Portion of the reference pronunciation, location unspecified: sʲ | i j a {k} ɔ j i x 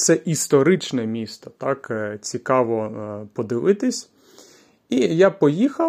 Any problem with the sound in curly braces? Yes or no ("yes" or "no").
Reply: yes